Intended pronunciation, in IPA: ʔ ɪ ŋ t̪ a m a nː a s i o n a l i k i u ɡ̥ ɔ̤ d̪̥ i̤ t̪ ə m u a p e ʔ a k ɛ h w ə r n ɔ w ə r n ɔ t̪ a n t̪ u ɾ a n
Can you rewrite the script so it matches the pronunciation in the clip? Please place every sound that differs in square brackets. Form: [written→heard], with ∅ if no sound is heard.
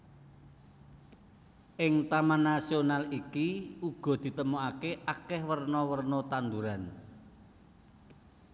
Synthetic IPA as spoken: ʔ ɪ ŋ t̪ a m a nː a s i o n a l i k i u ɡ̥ ɔ̤ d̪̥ i̤ t̪ ə m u a [p→k] e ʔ a k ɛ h w ə r n ɔ w ə r n ɔ t̪ a n [t̪→d̪] u ɾ a n

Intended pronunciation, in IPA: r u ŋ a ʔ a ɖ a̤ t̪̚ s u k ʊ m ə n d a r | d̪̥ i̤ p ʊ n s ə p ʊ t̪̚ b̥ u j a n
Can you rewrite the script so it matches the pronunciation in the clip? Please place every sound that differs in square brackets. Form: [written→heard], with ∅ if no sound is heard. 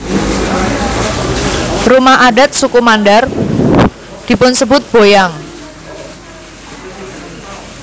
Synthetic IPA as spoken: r u [ŋ→m] a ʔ a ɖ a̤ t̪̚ s u k [ʊ→u] m [ə→a] n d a r | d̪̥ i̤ p ʊ n s ə [p→b] ʊ t̪̚ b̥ [u→o] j a [n→ŋ]

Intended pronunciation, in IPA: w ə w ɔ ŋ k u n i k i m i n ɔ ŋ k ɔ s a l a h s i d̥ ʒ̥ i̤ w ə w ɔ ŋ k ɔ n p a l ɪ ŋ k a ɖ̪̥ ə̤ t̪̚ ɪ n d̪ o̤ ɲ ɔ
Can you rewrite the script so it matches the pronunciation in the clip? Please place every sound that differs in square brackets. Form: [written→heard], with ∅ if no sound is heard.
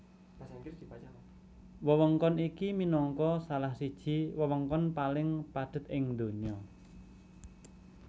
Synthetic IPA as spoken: w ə w ɔ ŋ k [u→ɔ] n i k i m i n ɔ ŋ k ɔ s a l a h s i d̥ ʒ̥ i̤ w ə w ɔ ŋ k ɔ n p a l ɪ ŋ [k→p] a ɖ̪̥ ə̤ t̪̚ ɪ [n→ŋ] d̪ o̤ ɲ ɔ

